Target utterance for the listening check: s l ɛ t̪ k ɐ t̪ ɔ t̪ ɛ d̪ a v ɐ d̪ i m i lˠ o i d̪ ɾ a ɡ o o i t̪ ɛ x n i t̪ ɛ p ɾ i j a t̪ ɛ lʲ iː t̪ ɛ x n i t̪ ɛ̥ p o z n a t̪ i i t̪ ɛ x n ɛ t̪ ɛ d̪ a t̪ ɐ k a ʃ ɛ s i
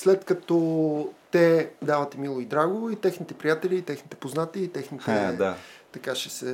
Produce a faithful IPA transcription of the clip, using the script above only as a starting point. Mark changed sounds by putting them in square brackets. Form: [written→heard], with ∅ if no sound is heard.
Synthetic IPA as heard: s l ɛ t̪ k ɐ t̪ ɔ t̪ ɛ d̪ a v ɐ [d̪→t̪] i m i lˠ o i d̪ ɾ a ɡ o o i t̪ ɛ x n i t̪ ɛ p ɾ i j a t̪ ɛ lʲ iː t̪ ɛ x n i t̪ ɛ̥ p o z n a t̪ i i t̪ ɛ x n [ɛ→i] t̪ ɛ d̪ a t̪ ɐ k a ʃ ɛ s [i→ɛ]